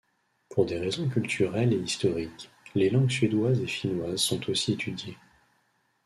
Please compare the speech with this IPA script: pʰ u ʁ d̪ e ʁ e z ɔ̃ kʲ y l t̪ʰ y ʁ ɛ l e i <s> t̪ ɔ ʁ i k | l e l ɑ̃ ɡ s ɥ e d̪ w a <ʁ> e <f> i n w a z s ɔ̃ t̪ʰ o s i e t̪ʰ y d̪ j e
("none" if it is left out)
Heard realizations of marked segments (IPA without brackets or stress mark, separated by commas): s, z, ʃ